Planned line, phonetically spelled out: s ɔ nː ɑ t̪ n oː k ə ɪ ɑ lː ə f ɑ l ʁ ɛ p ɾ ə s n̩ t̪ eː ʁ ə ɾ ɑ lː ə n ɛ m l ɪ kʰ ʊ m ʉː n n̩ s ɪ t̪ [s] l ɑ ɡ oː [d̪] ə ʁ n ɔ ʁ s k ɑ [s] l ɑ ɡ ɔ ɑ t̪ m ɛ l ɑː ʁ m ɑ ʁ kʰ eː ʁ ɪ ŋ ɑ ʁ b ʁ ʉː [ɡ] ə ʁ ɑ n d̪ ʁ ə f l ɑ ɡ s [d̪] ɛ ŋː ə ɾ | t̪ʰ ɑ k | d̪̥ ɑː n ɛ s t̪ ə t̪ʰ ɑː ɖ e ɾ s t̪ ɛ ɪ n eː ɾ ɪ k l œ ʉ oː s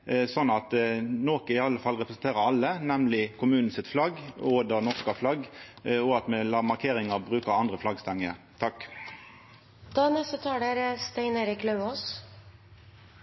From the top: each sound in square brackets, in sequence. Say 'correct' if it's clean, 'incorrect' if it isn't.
incorrect, correct, incorrect, incorrect, incorrect

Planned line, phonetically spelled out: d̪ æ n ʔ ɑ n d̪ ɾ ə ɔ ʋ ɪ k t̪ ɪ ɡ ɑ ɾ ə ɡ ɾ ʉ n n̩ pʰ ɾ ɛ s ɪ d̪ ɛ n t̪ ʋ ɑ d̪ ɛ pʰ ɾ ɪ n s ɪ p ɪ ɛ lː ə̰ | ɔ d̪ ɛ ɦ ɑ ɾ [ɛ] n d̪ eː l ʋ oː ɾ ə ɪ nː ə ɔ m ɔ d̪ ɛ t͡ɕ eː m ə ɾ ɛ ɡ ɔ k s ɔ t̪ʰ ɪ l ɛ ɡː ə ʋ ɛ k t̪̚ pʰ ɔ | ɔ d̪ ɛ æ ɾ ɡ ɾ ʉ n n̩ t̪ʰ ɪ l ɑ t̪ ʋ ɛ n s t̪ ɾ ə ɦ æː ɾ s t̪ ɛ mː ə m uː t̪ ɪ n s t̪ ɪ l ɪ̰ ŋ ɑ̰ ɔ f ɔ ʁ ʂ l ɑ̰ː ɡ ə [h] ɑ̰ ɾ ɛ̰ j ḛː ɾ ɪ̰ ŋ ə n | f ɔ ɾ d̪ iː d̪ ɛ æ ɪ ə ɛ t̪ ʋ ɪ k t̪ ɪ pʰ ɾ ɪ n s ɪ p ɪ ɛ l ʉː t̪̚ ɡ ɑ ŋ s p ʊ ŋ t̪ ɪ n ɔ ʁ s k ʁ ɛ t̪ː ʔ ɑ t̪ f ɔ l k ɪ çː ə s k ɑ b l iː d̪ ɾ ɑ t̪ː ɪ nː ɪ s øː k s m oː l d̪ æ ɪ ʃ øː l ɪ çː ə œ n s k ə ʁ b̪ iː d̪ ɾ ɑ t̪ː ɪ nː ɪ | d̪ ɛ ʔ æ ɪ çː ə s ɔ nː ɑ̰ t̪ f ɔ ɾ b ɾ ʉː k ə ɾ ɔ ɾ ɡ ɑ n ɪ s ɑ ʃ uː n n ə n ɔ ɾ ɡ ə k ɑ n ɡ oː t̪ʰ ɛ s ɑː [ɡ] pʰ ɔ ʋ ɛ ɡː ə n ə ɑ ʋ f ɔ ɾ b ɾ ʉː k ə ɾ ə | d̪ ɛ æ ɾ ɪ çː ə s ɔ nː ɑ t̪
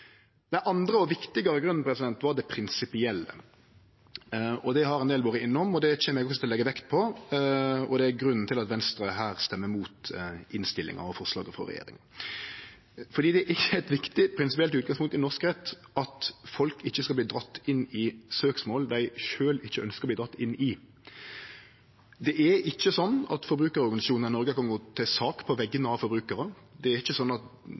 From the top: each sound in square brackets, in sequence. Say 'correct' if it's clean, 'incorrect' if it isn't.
correct, incorrect, incorrect

